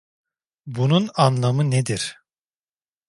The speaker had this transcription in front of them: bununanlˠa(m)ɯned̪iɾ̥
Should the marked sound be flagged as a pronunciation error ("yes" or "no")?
no